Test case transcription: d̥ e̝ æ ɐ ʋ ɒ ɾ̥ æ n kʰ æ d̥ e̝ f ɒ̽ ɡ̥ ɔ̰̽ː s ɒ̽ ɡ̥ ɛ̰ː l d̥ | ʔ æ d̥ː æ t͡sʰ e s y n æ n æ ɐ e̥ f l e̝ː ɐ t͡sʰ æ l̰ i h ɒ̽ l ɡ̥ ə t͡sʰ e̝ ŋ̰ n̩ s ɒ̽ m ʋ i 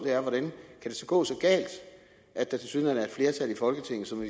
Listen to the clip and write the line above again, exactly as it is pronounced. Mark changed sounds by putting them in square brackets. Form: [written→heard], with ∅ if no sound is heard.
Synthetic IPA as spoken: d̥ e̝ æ ɐ ʋ ɒ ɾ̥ æ n kʰ æ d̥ e̝ [f→s] ɒ̽ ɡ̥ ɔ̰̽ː s ɒ̽ ɡ̥ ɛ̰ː l d̥ | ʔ æ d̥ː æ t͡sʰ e s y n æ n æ ɐ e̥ f l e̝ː ɐ t͡sʰ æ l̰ i [h→f] ɒ̽ l ɡ̥ ə t͡sʰ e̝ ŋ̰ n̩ s ɒ̽ m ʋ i